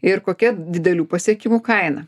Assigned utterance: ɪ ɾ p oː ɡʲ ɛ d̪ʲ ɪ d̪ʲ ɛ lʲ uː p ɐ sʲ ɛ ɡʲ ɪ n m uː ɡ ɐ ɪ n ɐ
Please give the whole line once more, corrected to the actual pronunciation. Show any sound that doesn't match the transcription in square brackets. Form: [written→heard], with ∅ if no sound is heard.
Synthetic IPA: ɪ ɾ [p→k] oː [ɡʲ→kʲ] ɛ d̪ʲ ɪ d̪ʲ ɛ lʲ uː p ɐ sʲ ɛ [ɡʲ→kʲ] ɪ [n→∅] m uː [ɡ→k] ɐ ɪ n ɐ